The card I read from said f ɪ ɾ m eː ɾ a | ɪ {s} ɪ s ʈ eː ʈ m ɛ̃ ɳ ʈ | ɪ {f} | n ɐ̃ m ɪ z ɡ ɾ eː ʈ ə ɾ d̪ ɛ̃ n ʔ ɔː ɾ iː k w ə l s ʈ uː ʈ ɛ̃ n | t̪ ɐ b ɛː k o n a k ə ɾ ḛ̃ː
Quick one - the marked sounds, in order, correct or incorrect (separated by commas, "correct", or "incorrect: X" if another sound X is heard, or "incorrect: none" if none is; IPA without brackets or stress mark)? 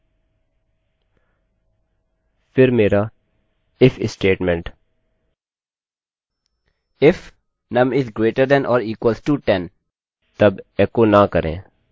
incorrect: f, correct